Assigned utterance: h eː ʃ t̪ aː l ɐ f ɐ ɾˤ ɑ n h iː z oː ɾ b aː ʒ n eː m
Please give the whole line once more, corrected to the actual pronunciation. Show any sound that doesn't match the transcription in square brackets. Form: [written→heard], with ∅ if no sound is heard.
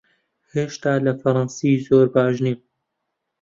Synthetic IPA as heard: h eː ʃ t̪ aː l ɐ f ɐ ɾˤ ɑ n [h→s] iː z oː ɾ b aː ʒ n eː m